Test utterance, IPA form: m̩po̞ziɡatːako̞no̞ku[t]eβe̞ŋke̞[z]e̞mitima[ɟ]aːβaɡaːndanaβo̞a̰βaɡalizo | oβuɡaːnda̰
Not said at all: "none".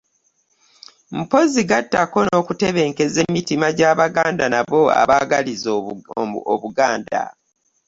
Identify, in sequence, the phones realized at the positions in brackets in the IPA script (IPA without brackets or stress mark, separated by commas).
t, z, ɟ